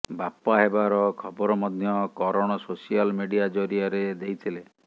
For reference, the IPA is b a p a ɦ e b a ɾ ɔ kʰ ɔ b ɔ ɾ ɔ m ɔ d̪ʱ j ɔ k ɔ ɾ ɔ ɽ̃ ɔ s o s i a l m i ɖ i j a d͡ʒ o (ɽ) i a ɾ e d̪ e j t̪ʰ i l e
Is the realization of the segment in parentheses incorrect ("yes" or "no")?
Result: yes